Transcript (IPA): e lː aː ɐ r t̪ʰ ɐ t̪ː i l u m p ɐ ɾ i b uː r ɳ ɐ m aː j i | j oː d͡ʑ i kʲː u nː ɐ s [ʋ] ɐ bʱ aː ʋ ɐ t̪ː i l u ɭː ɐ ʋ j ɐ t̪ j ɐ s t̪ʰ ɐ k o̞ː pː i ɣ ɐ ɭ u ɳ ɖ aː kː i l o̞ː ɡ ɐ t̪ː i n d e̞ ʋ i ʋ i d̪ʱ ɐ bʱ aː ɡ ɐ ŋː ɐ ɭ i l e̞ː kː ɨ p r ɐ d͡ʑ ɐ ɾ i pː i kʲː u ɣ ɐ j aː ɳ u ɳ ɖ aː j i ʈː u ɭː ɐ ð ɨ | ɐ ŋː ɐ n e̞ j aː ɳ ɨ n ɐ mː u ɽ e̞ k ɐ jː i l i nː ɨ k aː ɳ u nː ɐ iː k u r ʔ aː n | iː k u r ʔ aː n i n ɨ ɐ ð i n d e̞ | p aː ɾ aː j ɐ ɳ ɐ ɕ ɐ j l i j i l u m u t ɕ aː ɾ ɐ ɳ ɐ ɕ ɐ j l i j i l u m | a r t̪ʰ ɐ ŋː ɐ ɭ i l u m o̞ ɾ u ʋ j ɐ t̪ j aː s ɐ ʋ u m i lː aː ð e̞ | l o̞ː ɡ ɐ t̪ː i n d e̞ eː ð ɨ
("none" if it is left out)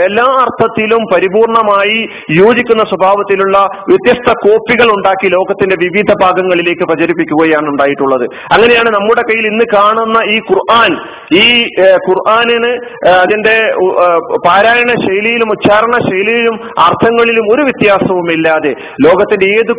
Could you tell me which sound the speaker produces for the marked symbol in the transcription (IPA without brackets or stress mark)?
w